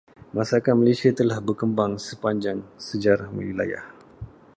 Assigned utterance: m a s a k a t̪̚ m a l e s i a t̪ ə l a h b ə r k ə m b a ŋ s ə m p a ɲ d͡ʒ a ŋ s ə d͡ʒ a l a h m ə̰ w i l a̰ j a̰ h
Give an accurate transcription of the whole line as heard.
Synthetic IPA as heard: m a s a k a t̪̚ m a l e s i a t̪ ə l a h b ə r k ə m b a ŋ s ə p a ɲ d͡ʒ a ŋ s ə d͡ʒ a ɾ a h m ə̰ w i l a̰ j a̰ h